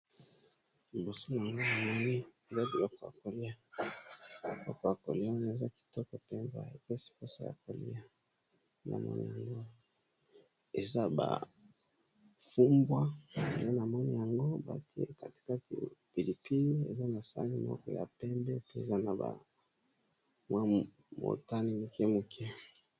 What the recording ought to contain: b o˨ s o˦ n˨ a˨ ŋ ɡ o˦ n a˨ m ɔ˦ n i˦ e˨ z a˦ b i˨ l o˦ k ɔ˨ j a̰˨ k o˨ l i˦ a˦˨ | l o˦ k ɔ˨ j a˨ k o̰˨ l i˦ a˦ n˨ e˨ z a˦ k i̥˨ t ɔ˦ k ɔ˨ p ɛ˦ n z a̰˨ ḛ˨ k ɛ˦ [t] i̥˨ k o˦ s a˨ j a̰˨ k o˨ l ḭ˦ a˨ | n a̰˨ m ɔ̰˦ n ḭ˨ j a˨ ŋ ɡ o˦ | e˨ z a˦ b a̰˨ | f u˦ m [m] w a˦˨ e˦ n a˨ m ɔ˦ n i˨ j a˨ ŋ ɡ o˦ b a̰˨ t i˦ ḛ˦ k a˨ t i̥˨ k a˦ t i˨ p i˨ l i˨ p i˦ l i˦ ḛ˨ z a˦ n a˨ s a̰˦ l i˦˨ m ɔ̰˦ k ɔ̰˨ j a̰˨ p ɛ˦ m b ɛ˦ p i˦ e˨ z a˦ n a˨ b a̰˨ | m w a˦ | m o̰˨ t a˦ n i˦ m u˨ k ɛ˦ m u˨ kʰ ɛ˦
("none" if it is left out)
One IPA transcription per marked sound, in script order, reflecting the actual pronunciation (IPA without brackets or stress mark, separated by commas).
s, b